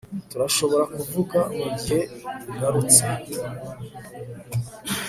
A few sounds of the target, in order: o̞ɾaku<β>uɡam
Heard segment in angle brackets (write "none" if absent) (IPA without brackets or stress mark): v